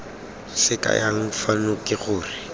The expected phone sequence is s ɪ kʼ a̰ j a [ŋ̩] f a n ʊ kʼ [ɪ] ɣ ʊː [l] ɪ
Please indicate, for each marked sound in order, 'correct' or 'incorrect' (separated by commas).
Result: correct, correct, incorrect